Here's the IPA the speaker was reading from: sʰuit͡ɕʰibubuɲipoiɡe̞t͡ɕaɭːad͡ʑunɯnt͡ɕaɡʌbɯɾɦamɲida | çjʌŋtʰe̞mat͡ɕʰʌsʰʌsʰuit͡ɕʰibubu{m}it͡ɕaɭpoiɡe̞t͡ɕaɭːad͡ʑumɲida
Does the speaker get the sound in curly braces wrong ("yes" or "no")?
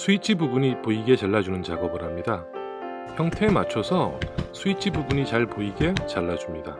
yes